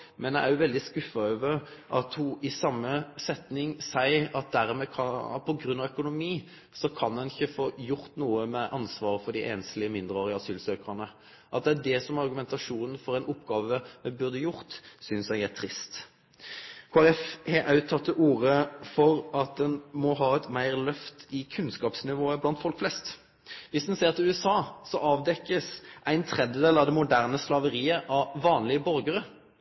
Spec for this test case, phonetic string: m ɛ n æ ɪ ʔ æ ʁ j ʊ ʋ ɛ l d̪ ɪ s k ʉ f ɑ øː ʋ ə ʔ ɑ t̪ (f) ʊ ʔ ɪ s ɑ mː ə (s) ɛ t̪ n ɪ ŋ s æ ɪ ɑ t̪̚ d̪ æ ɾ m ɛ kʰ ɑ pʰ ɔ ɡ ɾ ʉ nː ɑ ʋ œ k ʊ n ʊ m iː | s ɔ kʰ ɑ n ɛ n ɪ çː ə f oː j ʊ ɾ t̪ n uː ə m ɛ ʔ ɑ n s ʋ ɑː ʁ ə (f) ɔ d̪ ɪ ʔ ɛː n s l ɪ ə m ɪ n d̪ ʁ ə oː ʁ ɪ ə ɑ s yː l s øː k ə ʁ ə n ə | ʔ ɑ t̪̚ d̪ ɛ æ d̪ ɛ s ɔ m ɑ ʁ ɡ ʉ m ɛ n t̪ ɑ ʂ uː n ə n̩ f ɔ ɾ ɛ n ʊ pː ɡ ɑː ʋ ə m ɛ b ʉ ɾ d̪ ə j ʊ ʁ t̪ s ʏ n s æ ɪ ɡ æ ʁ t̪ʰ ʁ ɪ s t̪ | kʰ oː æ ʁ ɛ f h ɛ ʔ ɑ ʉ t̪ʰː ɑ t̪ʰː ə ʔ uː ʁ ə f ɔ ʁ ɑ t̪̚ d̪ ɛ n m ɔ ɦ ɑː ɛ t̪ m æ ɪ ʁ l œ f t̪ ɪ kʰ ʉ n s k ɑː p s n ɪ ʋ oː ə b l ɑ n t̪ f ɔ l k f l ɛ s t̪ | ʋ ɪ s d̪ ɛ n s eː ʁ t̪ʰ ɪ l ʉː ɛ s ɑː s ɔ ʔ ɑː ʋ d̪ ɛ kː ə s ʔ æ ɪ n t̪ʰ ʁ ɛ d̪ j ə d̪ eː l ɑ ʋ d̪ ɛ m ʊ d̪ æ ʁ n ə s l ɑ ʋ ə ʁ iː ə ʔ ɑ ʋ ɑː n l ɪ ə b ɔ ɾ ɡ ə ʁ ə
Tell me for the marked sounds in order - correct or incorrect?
incorrect: h, correct, correct

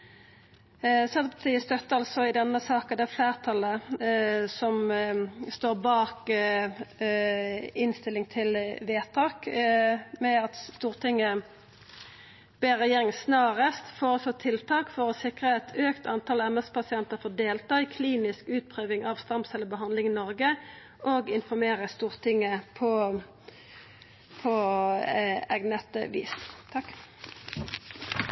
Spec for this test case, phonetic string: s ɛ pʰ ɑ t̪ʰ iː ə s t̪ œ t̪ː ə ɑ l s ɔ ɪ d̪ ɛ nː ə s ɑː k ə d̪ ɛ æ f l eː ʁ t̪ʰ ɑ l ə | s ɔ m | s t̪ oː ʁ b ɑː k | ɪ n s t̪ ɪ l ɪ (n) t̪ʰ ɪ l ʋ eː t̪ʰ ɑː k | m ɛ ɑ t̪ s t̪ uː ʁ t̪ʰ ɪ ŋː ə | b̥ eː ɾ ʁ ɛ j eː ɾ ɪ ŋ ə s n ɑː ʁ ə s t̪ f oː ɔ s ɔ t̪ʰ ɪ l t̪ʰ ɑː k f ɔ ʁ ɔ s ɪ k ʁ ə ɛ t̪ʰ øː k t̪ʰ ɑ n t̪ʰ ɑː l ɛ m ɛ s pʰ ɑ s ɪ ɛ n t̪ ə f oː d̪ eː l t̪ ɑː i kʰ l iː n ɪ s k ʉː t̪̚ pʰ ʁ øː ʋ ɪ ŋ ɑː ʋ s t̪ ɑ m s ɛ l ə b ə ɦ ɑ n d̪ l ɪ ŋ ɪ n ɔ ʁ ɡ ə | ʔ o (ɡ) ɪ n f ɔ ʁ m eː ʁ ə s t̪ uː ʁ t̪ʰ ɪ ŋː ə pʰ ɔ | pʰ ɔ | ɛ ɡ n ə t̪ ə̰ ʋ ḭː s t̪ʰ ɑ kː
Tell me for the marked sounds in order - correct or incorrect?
incorrect: ŋ, correct

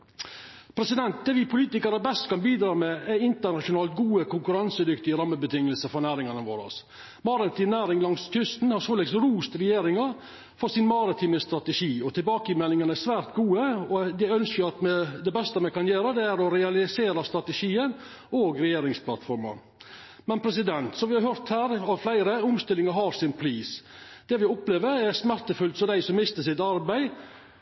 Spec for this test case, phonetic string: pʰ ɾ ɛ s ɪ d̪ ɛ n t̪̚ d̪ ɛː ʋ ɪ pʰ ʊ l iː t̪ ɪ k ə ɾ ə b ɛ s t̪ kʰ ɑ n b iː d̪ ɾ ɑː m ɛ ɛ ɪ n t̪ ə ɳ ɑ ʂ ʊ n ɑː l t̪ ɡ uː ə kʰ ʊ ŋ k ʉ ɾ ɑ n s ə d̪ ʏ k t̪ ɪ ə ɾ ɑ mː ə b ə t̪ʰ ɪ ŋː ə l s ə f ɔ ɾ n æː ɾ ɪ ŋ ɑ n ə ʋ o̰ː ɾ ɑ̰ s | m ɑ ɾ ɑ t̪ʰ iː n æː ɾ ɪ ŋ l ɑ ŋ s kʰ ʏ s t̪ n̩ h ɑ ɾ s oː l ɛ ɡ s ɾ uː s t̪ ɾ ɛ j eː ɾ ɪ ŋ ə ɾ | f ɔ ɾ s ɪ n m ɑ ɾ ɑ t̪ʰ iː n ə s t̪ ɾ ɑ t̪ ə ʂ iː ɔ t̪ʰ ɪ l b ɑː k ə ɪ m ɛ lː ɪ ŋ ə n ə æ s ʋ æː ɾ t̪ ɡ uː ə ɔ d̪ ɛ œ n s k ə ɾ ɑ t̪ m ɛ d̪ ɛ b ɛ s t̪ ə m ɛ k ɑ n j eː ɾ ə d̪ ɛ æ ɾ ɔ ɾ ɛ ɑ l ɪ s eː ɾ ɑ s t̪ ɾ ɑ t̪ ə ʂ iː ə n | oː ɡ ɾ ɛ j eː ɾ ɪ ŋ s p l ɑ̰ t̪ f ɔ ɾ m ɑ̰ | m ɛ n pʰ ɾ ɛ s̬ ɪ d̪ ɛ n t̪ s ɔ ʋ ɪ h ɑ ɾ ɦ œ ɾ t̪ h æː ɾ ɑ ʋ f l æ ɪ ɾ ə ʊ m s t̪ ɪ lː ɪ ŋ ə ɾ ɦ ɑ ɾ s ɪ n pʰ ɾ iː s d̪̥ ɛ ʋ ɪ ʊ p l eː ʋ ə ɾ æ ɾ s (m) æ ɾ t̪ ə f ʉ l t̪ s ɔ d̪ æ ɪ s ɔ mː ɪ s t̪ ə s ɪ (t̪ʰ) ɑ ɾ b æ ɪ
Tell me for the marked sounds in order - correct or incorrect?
correct, incorrect: t̪

